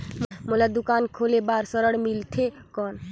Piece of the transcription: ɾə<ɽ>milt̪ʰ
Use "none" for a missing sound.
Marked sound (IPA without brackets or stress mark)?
ɽ